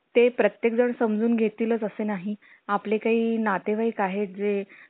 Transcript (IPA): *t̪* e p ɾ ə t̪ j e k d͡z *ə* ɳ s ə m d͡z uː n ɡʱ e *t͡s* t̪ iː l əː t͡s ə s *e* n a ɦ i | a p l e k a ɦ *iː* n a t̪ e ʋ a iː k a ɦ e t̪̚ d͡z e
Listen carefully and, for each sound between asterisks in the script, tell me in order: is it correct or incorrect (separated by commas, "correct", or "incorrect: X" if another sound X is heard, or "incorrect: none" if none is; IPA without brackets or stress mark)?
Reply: correct, correct, incorrect: none, correct, correct